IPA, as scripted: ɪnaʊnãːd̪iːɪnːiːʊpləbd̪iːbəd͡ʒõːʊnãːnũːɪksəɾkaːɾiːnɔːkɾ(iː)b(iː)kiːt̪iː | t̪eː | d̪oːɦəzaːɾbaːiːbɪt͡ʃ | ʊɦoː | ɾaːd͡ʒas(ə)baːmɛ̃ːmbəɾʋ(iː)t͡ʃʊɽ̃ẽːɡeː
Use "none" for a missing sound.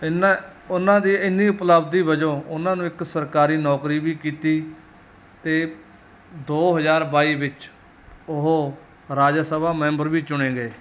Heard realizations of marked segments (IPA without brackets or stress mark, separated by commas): iː, iː, ə, iː